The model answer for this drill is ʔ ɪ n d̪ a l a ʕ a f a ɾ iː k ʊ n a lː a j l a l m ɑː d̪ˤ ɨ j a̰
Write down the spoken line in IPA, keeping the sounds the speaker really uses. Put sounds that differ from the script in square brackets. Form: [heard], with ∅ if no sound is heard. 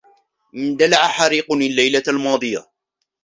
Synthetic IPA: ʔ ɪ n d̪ a l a ʕ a [ħ] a ɾ iː [q] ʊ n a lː a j l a l m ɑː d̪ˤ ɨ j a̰

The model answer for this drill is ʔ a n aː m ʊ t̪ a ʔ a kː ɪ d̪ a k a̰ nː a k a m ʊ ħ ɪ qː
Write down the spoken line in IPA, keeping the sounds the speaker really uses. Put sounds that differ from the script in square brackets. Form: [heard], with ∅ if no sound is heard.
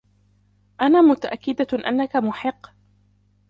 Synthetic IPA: ʔ a n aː m ʊ t̪ a ʔ a kː ɪ d̪ a [ʔ] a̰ nː a k a m ʊ ħ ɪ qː

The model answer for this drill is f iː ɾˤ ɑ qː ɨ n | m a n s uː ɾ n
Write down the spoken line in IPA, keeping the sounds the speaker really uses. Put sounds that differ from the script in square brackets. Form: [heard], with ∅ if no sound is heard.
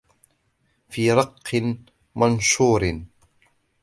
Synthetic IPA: f iː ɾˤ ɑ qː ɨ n | m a n [ʃ] uː ɾ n

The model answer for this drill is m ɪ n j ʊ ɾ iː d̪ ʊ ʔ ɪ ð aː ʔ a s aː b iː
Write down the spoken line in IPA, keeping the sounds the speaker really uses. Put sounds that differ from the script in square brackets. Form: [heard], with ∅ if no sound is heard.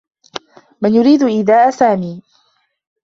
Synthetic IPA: m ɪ n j ʊ ɾ iː d̪ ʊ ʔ ɪ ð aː ʔ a s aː [m] iː

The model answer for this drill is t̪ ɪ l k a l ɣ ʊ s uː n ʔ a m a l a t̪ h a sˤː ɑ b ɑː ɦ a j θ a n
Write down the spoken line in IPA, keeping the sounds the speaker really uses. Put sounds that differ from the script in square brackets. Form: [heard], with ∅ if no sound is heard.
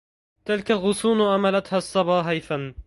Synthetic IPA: t̪ ɪ l k a l ɣ ʊ s uː n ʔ a m a l a t̪ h a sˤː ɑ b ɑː ɦ a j θ a n

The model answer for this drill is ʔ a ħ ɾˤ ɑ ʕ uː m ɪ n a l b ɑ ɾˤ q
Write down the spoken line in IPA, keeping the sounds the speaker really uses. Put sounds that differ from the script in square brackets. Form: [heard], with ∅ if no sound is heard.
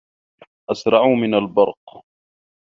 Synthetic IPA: ʔ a [s] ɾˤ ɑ ʕ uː m ɪ n a l b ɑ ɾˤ q

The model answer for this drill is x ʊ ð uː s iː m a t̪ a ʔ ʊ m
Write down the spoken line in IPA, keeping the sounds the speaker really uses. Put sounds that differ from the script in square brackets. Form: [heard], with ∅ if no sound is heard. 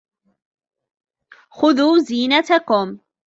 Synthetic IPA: x ʊ ð uː [z] iː [n] a t̪ a [k] ʊ m

